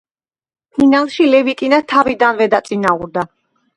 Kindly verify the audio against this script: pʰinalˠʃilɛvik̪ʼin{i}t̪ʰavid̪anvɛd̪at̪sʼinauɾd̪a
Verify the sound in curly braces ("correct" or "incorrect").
incorrect